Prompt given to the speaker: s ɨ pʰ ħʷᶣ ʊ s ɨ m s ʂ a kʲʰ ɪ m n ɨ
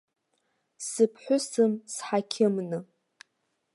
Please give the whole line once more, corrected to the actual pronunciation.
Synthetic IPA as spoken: s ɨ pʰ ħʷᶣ ʊ s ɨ m s ħ a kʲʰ ɪ m n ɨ